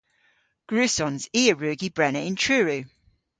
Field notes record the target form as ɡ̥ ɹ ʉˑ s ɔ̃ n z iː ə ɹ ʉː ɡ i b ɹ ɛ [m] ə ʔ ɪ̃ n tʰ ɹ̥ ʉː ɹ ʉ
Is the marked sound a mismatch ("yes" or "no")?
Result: yes